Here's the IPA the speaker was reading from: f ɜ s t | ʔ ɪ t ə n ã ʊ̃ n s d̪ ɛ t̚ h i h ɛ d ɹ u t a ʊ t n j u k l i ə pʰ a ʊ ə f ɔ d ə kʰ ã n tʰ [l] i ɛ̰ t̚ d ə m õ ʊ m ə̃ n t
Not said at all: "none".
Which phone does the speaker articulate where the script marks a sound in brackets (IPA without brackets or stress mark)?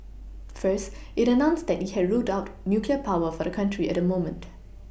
ɹ